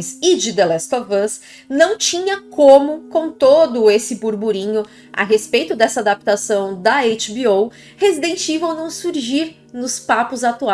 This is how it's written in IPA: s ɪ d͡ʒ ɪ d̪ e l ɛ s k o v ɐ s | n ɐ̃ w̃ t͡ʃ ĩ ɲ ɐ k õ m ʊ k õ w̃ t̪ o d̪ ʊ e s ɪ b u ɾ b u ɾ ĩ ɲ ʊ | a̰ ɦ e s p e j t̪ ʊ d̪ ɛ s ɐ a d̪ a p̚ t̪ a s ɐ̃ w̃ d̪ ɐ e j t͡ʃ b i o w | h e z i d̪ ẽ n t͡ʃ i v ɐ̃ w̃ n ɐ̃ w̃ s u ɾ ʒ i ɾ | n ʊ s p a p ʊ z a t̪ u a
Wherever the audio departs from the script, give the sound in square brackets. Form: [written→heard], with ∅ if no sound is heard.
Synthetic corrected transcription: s ɪ d͡ʒ ɪ d̪ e l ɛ s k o v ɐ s | n ɐ̃ w̃ t͡ʃ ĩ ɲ ɐ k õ m ʊ k õ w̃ t̪ o d̪ ʊ e s ɪ b u ɾ b u ɾ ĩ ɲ ʊ | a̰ ɦ e s p e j t̪ ʊ d̪ ɛ s ɐ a d̪ a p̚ t̪ a s ɐ̃ w̃ d̪ ɐ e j t͡ʃ b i o w | h e z i d̪ ẽ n t͡ʃ i v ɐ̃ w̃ n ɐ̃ w̃ s u ɾ ʒ i ɾ | n ʊ s p a p ʊ z a t̪ u a